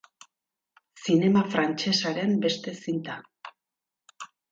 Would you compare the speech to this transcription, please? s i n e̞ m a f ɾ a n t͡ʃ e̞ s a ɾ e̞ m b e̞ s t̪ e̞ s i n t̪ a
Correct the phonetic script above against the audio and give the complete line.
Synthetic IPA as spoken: s i n e̞ m a f ɾ a n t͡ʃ e̞ s a ɾ e̞ m b e̞ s t̪ e̞ s i n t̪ a